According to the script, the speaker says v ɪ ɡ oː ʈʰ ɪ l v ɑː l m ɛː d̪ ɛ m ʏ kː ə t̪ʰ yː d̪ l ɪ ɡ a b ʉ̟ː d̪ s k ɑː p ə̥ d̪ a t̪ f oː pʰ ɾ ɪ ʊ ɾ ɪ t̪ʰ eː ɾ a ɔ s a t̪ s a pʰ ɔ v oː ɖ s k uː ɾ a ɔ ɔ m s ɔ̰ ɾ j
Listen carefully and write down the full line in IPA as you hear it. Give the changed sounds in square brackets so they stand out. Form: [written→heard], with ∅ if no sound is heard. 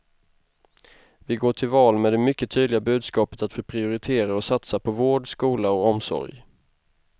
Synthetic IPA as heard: v ɪ ɡ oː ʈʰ ɪ l v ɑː l m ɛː d̪ ɛ m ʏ kː ə t̪ʰ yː d̪ l ɪ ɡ a b ʉ̟ː d̪ s k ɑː p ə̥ [d̪→t̪] a t̪ f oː pʰ ɾ ɪ ʊ ɾ ɪ t̪ʰ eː ɾ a ɔ s a t̪ s a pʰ ɔ v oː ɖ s k uː [ɾ→l] a ɔ ɔ m s ɔ̰ ɾ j